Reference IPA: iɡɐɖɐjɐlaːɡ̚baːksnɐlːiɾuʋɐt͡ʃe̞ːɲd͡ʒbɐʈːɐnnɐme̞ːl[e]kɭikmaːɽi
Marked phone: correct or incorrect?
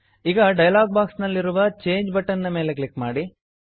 correct